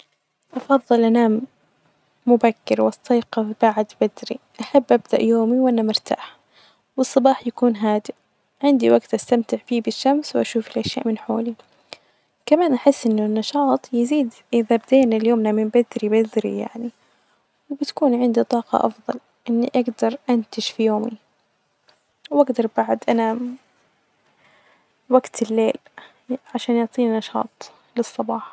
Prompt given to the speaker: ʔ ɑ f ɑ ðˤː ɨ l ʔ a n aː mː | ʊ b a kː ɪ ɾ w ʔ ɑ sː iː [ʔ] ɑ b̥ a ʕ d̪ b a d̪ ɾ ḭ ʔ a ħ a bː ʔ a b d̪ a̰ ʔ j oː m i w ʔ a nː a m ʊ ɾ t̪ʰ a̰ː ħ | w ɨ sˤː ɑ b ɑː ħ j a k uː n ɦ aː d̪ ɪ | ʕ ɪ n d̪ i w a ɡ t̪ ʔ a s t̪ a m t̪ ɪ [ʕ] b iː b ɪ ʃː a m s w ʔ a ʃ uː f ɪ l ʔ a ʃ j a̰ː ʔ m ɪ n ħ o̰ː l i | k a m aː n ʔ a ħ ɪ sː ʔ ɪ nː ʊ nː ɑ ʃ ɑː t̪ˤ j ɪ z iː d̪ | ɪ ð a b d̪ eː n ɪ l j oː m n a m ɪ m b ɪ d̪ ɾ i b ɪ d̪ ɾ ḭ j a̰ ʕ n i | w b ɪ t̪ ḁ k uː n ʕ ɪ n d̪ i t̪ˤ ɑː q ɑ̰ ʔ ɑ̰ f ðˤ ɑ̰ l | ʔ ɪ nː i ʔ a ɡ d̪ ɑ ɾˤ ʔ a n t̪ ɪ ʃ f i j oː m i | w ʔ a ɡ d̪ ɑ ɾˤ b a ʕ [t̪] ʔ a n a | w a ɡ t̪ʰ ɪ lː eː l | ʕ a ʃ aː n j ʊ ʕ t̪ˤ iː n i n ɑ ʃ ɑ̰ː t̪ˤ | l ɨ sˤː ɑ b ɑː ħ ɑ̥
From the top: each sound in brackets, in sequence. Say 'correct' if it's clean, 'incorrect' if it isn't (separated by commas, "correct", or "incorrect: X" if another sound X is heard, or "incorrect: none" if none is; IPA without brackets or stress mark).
incorrect: q, correct, incorrect: d̪